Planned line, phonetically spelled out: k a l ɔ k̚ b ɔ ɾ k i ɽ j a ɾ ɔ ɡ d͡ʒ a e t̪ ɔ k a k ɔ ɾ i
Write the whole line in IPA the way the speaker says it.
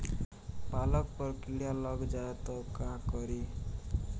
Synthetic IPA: p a l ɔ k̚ p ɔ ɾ k i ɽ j a l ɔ ɡ d͡ʒ a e t̪ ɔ k a k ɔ ɾ i